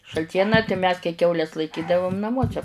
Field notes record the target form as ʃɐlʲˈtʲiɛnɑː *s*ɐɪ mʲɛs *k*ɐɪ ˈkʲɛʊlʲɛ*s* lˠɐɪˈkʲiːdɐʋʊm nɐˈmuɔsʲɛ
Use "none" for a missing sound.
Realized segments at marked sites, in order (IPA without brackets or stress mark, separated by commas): t, k, s